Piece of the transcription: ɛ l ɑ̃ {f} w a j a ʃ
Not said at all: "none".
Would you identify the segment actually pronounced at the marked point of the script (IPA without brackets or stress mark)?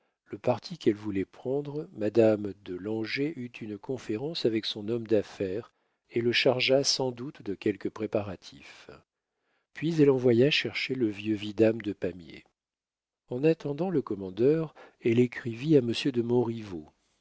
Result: v